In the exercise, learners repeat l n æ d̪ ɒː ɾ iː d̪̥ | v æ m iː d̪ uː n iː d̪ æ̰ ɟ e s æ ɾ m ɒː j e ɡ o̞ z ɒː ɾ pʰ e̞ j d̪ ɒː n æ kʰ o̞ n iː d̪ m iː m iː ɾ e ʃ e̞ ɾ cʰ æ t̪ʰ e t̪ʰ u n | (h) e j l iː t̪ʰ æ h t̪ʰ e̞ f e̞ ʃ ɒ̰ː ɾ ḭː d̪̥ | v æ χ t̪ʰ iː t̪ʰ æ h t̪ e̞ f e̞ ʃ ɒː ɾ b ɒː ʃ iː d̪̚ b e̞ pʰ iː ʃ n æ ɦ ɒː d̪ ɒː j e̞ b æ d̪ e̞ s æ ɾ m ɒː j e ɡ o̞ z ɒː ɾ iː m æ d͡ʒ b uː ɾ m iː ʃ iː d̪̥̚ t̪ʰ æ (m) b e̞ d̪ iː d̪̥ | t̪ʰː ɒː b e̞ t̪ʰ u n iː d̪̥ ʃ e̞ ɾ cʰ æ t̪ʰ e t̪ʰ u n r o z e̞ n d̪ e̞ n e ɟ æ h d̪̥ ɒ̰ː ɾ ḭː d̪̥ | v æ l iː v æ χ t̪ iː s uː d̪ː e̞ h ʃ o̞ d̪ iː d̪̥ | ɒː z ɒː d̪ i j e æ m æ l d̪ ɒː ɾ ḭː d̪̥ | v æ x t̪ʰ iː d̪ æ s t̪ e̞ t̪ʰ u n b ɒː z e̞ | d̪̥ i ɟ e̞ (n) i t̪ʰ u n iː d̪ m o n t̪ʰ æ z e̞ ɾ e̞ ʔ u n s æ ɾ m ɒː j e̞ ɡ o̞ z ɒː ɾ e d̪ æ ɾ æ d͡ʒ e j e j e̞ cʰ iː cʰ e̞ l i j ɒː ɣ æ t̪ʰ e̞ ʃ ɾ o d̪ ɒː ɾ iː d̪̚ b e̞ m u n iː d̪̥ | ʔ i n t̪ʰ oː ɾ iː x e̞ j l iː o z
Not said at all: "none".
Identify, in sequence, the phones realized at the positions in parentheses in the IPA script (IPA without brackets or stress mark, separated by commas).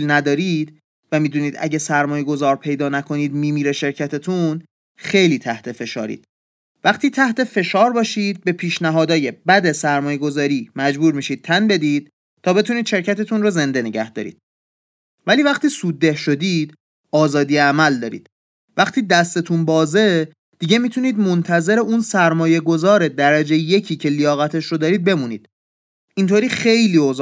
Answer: x, n, m